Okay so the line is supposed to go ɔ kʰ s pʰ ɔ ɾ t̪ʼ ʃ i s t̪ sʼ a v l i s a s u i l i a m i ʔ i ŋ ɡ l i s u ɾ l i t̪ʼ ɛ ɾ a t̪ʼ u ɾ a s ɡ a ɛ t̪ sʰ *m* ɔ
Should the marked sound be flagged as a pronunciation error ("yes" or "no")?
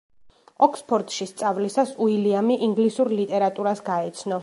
yes